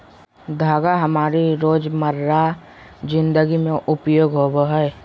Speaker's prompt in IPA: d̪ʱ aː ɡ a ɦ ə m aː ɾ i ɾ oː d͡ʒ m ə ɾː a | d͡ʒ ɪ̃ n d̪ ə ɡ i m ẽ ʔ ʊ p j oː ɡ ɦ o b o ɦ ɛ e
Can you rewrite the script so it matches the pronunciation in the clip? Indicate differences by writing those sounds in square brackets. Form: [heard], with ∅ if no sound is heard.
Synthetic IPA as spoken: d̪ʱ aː ɡ a ɦ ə m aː ɾ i ɾ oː d͡ʒ m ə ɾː a | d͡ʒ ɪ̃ n d̪ ə ɡ i m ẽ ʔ ʊ p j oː ɡ ɦ o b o ɦ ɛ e